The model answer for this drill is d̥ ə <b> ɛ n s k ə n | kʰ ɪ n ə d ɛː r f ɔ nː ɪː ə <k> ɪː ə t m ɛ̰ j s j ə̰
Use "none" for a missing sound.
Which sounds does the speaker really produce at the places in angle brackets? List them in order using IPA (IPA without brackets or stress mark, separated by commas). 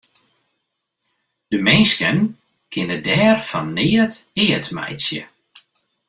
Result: m, t